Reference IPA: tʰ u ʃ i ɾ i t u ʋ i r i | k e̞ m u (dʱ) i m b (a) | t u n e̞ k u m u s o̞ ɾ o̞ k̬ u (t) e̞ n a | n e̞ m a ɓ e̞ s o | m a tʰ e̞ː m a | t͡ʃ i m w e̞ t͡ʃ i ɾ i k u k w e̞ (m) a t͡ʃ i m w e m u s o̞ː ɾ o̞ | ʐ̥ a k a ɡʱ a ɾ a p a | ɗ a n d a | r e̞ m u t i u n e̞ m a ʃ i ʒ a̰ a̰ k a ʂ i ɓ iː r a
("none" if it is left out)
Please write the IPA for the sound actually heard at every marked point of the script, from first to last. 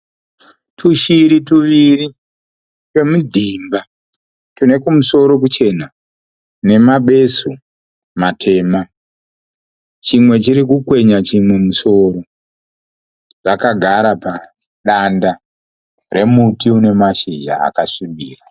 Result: dʱ, a, t͡ʃ, ɲ

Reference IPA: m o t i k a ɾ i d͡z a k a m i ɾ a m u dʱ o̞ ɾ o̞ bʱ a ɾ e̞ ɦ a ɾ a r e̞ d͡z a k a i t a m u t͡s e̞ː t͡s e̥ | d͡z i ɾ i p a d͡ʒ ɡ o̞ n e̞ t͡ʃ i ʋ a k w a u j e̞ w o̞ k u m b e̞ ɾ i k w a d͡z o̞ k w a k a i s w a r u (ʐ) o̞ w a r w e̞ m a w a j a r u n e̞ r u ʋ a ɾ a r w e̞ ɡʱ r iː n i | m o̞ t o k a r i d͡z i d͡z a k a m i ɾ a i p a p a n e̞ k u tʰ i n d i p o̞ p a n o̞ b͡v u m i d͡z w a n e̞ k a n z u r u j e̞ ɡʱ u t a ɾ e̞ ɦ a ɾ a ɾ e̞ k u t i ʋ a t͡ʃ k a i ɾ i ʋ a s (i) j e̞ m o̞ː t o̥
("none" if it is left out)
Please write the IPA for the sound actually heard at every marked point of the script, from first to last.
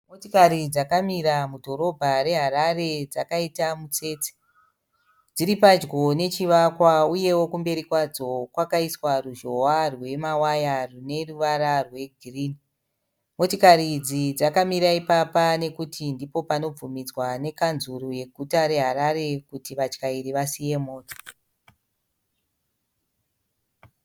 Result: ʒ, i

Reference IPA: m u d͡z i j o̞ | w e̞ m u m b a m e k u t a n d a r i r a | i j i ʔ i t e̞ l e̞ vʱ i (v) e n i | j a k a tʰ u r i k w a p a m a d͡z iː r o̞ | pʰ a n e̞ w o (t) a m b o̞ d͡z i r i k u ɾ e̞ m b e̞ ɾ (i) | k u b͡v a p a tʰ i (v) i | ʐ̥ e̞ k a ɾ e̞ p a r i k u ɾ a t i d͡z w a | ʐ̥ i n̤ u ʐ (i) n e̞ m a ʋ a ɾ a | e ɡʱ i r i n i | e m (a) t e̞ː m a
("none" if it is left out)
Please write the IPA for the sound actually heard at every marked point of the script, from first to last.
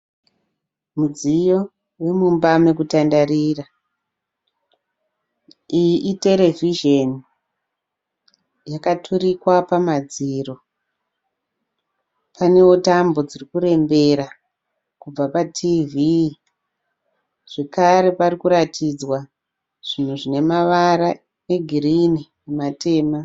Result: ʒ, t, a, v, i, a

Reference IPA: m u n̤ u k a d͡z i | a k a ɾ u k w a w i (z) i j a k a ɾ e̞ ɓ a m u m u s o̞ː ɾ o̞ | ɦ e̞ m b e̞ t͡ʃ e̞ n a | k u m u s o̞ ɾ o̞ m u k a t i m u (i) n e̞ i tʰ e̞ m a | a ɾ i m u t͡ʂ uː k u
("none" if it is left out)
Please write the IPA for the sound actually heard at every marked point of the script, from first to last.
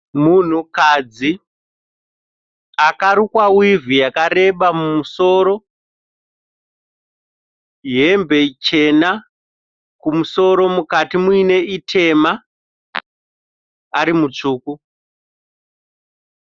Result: v, i

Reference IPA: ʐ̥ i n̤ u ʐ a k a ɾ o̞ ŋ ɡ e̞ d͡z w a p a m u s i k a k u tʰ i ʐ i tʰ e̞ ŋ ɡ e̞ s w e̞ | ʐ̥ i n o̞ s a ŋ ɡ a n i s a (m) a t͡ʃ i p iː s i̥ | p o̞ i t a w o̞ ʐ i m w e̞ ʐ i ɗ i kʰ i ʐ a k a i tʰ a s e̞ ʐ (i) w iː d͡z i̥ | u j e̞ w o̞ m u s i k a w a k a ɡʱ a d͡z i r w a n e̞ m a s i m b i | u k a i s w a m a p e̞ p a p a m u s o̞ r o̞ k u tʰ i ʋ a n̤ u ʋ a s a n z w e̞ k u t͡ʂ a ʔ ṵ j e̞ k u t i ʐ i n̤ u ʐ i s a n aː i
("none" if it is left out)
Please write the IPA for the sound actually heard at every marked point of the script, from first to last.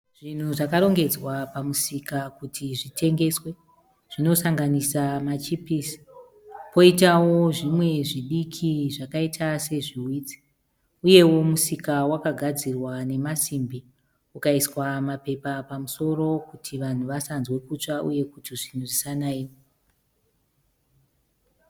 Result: m, i

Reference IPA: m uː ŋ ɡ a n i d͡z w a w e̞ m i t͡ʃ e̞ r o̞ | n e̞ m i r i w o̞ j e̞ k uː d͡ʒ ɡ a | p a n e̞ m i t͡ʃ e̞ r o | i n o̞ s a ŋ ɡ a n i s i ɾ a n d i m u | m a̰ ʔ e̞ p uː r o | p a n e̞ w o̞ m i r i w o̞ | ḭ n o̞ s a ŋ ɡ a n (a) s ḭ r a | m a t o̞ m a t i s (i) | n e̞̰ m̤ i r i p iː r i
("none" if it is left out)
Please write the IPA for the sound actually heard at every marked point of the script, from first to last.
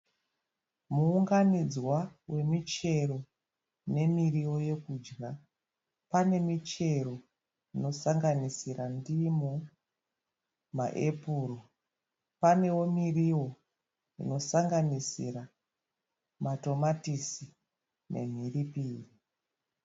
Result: i, i

